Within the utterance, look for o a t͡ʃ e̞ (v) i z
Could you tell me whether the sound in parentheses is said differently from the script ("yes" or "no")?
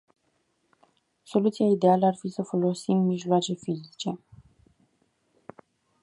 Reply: yes